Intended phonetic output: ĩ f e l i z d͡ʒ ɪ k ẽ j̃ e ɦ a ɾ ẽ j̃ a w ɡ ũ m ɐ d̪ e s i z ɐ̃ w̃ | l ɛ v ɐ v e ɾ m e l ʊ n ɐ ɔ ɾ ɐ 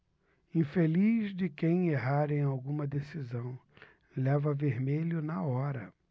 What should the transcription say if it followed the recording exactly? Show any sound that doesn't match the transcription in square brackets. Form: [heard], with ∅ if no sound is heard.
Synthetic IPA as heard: ĩ f e l i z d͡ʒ ɪ k ẽ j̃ e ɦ a ɾ ẽ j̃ a w ɡ ũ m ɐ d̪ e s i z ɐ̃ w̃ | l ɛ v ɐ v e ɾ m e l ʊ n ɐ ɔ ɾ ɐ